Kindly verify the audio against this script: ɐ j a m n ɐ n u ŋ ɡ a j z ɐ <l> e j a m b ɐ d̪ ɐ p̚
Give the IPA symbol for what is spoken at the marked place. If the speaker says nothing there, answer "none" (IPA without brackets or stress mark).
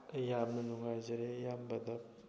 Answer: ɾ